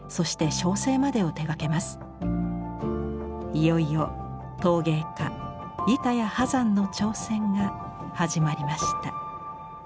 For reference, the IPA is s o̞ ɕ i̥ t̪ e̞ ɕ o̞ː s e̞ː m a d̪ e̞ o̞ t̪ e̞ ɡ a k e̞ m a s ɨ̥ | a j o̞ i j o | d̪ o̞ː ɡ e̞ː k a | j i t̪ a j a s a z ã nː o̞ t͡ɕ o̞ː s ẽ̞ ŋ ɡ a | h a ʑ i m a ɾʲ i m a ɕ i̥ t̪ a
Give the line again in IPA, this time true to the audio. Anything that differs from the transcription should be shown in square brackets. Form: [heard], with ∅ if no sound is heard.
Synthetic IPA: s o̞ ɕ i̥ t̪ e̞ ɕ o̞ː s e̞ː m a d̪ e̞ o̞ t̪ e̞ ɡ a k e̞ m a s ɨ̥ | [i] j o̞ i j o | [t̪] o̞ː ɡ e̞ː k a | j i t̪ a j a [h] a z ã nː o̞ t͡ɕ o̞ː s ẽ̞ ŋ ɡ a | h a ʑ i m a ɾʲ i m a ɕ i̥ t̪ a

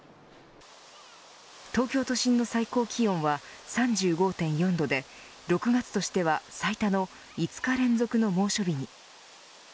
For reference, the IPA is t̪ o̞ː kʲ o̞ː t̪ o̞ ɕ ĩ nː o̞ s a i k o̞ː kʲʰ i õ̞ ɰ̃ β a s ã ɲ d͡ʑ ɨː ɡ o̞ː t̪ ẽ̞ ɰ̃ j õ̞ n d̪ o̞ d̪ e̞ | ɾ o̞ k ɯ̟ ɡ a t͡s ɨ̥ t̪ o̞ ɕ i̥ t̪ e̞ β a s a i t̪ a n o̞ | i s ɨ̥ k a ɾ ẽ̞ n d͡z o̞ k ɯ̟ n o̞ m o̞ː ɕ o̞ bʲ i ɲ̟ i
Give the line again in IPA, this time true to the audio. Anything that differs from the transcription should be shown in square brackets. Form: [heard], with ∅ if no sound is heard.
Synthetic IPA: t̪ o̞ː kʲ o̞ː t̪ o̞ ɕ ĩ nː o̞ s a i k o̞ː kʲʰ i õ̞ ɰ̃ β a s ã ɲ d͡ʑ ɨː ɡ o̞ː t̪ ẽ̞ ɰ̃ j õ̞ n d̪ o̞ d̪ e̞ | ɾ o̞ k ɯ̟ ɡ a t͡s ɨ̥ t̪ o̞ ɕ i̥ t̪ e̞ β a s a i t̪ a n o̞ | i [t͡s] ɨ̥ k a ɾ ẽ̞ n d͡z o̞ k ɯ̟ n o̞ m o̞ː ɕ o̞ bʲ i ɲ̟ i

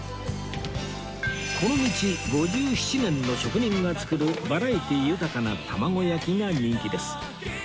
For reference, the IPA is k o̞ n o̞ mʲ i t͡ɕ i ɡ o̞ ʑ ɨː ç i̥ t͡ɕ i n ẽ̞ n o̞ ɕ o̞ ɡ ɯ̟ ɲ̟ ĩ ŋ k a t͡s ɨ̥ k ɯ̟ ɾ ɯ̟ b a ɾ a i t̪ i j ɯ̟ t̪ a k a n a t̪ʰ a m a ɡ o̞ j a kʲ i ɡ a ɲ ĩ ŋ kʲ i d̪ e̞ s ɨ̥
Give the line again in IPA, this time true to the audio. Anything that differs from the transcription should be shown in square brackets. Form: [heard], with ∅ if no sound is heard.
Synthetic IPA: k o̞ n o̞ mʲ i t͡ɕ i ɡ o̞ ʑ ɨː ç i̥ t͡ɕ i n ẽ̞ [nː] o̞ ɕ o̞ [k] ɯ̟ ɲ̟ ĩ ŋ [ɡ] a t͡s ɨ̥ k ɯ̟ ɾ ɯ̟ b a ɾ a i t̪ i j ɯ̟ t̪ a k a n a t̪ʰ a m a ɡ o̞ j a kʲ i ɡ a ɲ ĩ ŋ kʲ i d̪ e̞ s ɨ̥

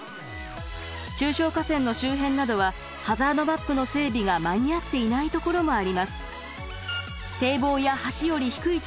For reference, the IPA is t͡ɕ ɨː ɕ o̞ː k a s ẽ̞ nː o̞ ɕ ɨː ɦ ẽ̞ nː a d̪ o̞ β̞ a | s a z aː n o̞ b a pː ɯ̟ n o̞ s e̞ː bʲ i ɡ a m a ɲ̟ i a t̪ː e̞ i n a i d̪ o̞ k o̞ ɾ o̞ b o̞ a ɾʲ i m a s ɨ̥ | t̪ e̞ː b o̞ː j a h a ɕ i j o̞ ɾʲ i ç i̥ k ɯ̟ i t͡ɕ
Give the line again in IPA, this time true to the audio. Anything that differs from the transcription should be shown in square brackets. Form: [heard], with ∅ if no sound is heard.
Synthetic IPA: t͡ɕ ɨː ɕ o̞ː k a s ẽ̞ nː o̞ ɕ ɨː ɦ ẽ̞ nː a d̪ o̞ β̞ a | [h] a z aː n o̞ b a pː ɯ̟ n o̞ s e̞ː bʲ i ɡ a m a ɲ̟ i a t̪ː e̞ i n a i [t̪] o̞ k o̞ ɾ o̞ [m] o̞ a ɾʲ i m a s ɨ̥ | t̪ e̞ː b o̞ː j a h a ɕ i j o̞ ɾʲ i ç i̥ k ɯ̟ i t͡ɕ

